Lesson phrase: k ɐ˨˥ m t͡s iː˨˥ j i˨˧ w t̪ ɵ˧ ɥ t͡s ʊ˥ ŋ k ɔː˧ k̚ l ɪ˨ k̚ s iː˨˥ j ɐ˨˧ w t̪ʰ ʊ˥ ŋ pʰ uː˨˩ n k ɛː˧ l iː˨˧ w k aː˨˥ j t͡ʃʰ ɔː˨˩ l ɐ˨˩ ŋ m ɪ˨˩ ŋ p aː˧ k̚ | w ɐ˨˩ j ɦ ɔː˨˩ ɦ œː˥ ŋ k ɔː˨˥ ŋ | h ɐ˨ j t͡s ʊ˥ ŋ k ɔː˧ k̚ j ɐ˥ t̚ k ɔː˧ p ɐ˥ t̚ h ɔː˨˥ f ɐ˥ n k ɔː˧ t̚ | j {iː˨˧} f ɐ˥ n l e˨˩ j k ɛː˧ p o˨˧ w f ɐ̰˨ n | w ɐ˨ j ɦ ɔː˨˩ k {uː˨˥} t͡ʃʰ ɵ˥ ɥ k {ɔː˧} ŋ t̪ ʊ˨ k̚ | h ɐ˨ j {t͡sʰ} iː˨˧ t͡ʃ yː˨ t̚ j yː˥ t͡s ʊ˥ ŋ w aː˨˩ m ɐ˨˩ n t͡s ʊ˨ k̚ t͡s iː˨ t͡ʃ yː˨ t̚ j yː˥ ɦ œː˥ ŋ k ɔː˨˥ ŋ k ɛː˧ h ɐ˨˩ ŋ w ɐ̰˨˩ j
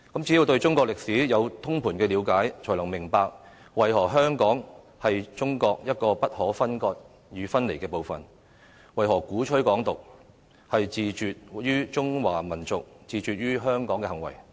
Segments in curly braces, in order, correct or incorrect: incorrect: yː˨˧, correct, incorrect: ɔː˨˥, incorrect: t͡s

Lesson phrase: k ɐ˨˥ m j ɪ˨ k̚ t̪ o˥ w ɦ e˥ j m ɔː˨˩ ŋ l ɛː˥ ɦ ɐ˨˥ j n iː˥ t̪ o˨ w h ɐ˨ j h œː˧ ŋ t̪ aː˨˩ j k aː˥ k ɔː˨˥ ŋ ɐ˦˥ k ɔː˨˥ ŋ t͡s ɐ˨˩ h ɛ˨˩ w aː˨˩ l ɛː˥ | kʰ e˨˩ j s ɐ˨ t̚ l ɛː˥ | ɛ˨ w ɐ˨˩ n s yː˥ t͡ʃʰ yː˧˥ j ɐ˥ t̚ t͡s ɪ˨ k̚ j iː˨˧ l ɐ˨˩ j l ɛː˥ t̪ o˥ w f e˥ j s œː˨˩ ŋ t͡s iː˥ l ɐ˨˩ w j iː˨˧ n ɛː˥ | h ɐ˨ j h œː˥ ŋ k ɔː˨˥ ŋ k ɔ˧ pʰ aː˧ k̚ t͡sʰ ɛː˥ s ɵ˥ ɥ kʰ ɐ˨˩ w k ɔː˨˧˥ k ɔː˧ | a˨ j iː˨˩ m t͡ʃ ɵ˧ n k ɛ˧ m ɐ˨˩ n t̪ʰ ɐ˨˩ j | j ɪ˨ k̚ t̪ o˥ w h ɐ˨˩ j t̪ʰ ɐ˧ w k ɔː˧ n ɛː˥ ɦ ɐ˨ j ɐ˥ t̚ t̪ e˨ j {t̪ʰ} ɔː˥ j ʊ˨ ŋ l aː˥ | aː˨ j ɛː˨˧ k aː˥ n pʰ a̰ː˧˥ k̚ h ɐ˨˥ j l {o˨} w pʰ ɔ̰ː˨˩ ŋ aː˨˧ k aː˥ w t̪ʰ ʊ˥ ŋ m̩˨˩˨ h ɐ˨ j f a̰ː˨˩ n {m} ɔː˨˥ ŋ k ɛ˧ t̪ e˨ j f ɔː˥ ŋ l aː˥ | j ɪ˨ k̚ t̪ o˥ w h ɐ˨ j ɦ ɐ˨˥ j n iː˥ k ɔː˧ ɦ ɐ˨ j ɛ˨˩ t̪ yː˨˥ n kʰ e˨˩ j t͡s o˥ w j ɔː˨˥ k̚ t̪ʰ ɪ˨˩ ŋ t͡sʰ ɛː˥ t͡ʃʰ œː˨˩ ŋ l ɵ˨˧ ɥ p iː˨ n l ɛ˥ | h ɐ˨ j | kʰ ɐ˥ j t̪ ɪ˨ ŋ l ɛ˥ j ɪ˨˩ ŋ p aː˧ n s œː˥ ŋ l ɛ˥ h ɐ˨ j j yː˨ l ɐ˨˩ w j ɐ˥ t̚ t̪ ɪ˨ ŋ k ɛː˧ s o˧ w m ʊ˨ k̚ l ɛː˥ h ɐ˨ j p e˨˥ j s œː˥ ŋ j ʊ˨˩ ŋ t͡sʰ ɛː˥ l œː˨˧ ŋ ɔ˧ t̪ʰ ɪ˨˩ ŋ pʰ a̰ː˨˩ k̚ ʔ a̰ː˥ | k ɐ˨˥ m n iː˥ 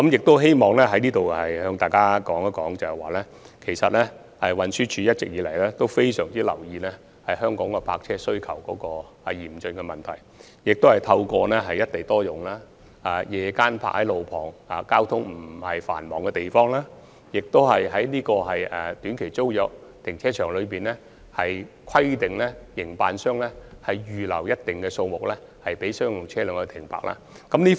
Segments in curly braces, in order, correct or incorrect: incorrect: t̪, correct, correct

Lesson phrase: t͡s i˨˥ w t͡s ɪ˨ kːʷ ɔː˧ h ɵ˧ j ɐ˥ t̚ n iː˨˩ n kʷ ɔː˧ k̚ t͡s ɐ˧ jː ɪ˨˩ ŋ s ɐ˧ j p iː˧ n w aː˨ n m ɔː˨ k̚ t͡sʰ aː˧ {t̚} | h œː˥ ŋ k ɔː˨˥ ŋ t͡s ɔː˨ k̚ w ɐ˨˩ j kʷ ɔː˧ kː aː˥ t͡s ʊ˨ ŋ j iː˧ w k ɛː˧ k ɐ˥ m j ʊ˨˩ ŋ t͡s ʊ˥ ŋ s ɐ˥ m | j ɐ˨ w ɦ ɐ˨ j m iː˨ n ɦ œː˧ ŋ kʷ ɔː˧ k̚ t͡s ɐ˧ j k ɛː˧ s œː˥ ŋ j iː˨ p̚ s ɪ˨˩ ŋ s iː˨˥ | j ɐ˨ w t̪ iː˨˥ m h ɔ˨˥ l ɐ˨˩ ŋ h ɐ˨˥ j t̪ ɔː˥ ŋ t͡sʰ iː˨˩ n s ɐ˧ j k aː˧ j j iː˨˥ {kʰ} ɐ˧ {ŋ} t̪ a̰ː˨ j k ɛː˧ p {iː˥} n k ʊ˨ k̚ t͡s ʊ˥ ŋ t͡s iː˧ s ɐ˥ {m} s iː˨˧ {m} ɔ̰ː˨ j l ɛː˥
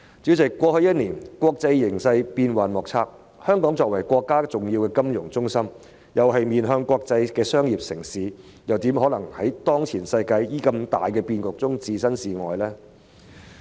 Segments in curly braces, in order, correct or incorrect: incorrect: k̚, incorrect: k, incorrect: m, incorrect: iː˧, incorrect: n, incorrect: ŋ

